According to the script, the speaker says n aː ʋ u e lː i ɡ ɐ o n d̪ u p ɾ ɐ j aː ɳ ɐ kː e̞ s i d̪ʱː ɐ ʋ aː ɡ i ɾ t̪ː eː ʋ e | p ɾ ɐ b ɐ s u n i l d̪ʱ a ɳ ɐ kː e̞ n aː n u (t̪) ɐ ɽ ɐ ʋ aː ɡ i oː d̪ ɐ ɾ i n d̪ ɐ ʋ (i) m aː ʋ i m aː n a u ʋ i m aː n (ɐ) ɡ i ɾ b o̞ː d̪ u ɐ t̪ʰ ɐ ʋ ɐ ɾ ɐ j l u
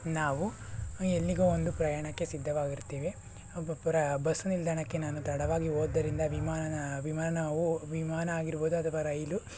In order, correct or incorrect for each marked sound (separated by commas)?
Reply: correct, correct, incorrect